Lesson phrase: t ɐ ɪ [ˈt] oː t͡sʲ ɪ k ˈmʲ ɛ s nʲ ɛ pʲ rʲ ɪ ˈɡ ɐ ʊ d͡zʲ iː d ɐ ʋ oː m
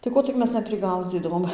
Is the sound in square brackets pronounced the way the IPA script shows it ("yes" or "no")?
no